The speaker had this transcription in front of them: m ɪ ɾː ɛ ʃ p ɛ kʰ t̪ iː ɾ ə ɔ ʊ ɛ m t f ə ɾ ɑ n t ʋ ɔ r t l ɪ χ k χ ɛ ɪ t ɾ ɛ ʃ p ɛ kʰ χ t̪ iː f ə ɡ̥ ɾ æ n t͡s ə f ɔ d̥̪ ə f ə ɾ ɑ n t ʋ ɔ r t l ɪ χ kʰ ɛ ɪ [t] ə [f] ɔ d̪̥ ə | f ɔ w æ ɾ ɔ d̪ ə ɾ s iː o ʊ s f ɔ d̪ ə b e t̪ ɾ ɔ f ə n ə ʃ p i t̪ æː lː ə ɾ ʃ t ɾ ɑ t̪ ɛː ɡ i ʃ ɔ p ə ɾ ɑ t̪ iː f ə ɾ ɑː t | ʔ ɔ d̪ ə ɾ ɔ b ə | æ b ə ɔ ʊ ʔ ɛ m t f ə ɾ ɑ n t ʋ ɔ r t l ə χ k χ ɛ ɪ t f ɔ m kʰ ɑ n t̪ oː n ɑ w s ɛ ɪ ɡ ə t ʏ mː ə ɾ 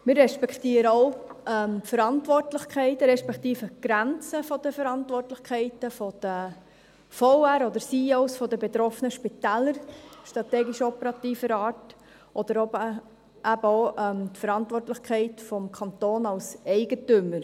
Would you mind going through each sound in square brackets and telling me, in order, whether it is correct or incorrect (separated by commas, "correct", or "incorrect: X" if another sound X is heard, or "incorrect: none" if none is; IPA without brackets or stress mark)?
correct, correct